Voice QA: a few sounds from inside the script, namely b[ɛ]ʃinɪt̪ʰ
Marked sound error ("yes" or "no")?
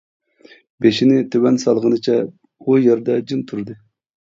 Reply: yes